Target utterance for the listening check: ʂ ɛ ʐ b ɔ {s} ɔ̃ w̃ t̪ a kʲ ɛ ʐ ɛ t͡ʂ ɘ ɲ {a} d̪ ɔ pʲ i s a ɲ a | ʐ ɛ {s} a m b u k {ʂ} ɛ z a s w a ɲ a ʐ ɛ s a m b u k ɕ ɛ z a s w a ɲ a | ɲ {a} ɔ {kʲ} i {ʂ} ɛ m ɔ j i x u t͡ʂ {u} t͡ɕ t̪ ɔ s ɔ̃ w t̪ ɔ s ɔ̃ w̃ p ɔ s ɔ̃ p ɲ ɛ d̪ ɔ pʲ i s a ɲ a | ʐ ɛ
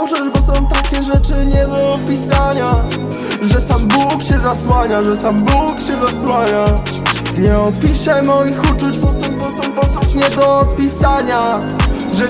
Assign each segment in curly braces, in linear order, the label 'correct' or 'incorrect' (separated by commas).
correct, incorrect, correct, incorrect, incorrect, incorrect, incorrect, correct